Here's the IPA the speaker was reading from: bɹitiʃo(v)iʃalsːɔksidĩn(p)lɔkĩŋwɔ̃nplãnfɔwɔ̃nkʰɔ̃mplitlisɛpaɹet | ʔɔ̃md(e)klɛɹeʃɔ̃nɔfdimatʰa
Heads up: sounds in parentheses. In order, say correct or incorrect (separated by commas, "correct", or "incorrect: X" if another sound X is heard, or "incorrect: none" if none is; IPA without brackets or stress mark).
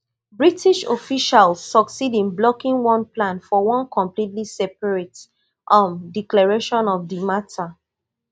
incorrect: f, incorrect: b, incorrect: i